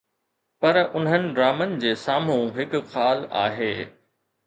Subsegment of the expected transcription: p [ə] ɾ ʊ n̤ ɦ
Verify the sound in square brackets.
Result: incorrect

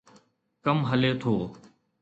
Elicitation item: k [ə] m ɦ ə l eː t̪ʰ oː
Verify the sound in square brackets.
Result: correct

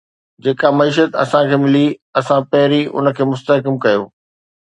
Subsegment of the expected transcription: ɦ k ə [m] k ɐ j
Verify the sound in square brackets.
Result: correct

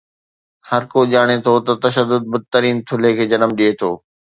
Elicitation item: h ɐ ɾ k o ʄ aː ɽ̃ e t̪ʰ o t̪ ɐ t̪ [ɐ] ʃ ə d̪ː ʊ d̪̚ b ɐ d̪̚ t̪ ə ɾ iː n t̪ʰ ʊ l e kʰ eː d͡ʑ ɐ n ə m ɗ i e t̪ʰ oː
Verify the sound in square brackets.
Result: correct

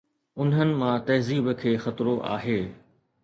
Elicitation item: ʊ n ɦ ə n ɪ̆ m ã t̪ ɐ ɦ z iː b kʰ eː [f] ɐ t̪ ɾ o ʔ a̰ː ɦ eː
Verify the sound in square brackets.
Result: incorrect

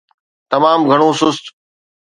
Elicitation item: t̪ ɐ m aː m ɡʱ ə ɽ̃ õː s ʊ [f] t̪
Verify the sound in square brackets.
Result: incorrect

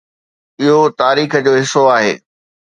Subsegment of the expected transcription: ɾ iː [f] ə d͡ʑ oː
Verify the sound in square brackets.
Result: incorrect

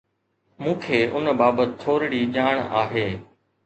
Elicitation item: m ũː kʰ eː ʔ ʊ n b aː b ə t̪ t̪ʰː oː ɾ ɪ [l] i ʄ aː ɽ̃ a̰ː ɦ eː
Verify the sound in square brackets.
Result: incorrect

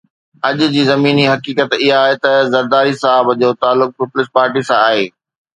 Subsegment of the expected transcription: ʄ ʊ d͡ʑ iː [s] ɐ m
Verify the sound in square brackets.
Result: incorrect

